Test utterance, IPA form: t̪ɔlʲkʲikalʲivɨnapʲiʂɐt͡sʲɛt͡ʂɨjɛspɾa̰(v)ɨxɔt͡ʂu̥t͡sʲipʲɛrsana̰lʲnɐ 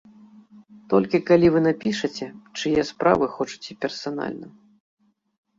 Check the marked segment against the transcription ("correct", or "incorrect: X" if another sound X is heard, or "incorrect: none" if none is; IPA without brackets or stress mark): correct